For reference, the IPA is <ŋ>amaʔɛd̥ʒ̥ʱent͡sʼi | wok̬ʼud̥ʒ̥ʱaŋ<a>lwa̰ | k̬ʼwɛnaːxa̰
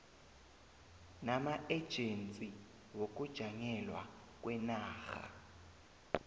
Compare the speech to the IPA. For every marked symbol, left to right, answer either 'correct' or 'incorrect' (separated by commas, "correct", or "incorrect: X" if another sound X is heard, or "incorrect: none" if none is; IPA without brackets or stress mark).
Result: incorrect: n, incorrect: ɛ